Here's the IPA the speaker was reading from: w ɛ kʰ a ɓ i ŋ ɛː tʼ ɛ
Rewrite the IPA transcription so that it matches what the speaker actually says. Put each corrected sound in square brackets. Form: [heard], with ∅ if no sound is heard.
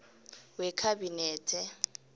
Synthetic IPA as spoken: w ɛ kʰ a [b] i [n] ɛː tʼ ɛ